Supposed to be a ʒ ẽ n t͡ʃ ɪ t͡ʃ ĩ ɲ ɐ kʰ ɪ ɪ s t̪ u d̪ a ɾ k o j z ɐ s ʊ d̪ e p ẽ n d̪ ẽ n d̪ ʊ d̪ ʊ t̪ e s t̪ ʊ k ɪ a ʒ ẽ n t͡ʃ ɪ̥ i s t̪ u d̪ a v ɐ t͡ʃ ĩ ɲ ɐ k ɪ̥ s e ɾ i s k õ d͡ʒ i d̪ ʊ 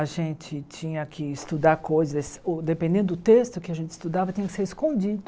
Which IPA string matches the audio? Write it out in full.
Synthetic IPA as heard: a ʒ ẽ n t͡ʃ ɪ t͡ʃ ĩ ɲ ɐ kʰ ɪ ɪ s t̪ u d̪ a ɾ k o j z ɐ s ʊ d̪ e p ẽ n d̪ ẽ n d̪ ʊ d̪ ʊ t̪ e s t̪ ʊ k ɪ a ʒ ẽ n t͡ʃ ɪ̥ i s t̪ u d̪ a v ɐ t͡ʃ ĩ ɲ ɐ k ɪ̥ s e ɾ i s k õ d͡ʒ i d̪ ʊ

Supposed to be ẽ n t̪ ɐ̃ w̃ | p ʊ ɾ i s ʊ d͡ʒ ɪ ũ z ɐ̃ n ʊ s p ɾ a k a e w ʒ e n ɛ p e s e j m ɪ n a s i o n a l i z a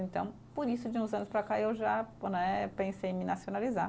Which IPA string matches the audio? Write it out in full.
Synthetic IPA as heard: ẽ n t̪ ɐ̃ w̃ | p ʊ ɾ i s ʊ d͡ʒ ɪ ũ z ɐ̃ n ʊ s p ɾ a k a e w ʒ a n ɛ p ẽ s e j m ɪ n a s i o n a l i z a

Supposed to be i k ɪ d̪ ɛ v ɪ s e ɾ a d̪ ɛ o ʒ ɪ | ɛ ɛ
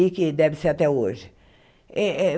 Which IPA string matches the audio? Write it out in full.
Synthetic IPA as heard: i k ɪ d̪ ɛ v ɪ s e ɾ a t̪ ɛ o ʒ ɪ | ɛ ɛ

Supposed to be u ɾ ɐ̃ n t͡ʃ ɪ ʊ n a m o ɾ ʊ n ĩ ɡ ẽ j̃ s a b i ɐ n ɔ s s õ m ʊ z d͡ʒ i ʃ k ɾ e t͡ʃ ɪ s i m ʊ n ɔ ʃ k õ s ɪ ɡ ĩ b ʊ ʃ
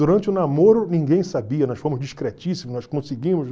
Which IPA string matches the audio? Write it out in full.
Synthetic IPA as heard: u ɾ ɐ̃ n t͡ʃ ɪ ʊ n a m o ɾ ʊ n ĩ ɡ ẽ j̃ s a b i ɐ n ɔ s f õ m ʊ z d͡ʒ i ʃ k ɾ e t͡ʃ i s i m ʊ n ɔ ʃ k õ s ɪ ɡ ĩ m ʊ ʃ

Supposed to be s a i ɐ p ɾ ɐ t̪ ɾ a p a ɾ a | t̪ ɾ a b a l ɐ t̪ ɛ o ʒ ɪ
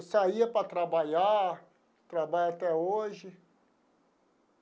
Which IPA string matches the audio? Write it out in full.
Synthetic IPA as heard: s a i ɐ p ɾ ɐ t̪ ɾ a b a ʎ a | t̪ ɾ a b a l a t̪ ɛ o ʒ ɪ

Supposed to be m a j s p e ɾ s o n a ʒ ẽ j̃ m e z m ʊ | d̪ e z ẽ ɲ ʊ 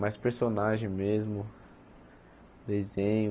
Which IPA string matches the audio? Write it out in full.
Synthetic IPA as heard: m a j s p e ɾ s o n a ʒ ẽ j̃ m e z m ʊ | d̪ e z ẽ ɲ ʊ

